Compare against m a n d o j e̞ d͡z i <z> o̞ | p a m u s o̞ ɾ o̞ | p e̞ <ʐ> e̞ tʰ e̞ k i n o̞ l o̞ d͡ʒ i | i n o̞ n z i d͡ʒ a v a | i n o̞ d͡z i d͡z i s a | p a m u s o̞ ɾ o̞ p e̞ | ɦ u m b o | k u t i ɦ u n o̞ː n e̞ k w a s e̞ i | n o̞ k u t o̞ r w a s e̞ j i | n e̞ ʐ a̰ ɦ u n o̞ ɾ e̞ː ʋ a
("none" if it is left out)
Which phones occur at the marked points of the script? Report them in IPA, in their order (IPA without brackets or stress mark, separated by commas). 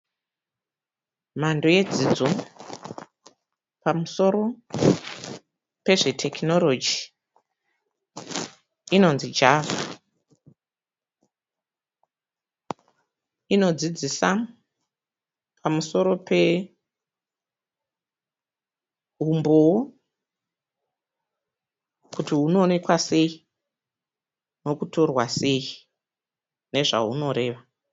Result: d͡z, ʐ